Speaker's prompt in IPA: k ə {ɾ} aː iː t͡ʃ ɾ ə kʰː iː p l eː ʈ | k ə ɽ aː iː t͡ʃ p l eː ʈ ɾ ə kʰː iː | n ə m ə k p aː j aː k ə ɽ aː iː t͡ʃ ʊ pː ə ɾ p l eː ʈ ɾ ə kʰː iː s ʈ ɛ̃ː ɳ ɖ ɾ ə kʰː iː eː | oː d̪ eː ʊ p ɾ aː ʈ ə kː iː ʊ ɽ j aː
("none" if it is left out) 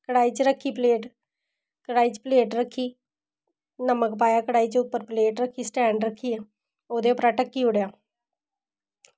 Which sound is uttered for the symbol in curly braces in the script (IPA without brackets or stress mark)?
ɽ